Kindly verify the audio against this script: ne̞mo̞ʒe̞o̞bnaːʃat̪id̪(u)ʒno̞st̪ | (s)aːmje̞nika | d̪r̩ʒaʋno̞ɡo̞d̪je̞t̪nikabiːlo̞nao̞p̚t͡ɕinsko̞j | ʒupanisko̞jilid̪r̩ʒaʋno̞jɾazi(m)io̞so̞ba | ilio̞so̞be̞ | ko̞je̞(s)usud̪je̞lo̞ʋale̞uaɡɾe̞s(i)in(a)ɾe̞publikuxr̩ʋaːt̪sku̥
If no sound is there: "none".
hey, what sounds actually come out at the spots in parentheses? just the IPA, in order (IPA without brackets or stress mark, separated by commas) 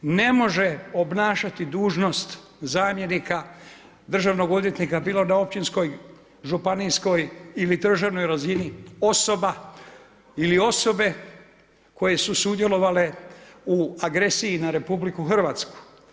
uː, z, n, s, i, a